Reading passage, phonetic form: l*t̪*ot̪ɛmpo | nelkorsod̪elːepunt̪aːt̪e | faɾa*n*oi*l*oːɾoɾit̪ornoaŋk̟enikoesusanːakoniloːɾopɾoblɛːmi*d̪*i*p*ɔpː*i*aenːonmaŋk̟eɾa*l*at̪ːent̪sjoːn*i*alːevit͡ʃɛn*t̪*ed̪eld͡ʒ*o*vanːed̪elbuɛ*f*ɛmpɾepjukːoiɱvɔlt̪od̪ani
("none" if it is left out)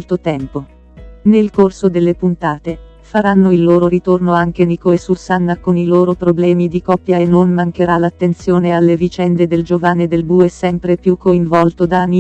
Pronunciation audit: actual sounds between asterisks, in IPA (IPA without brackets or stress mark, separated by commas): t̪, nː, lː, d̪, k, j, l, e, d̪, o, s